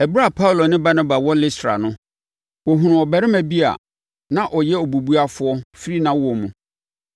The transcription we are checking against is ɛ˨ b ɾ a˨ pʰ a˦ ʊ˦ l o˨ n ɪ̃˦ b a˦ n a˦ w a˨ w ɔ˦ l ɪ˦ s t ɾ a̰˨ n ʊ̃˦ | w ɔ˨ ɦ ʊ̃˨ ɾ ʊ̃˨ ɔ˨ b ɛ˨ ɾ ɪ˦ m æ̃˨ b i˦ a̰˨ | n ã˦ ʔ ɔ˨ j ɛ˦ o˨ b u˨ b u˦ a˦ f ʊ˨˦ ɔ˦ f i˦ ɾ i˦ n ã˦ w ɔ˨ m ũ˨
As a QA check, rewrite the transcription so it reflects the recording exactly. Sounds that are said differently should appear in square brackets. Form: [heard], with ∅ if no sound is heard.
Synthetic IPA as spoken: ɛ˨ b ɾ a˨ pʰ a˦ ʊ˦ l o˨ n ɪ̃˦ b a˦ n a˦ [b] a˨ w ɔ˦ l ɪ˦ s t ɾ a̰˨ n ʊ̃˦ | w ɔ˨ ɦ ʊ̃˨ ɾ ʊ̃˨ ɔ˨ b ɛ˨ ɾ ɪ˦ m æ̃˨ b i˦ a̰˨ | n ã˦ ʔ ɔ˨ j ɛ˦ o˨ b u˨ b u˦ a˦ f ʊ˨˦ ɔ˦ f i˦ ɾ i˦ n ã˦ w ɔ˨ m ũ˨